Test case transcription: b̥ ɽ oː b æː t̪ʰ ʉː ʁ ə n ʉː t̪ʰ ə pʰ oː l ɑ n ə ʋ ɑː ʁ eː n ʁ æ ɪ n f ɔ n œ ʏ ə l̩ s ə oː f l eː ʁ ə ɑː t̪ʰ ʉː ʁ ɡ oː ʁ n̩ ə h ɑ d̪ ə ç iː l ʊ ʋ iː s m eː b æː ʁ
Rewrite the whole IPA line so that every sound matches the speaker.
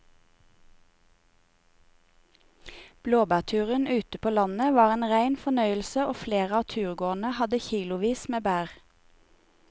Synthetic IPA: b̥ l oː b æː t̪ʰ ʉː ʁ ə n ʉː t̪ ə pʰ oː l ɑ n ə ʋ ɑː ʁ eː n ʁ æ ɪ n f ɔ n œ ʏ ə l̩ s ə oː f l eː ʁ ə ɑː t̪ʰ ʉː ʁ ɡ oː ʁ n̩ ə h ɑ d̪ ə ç iː l ʊ ʋ iː s m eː b æː ʁ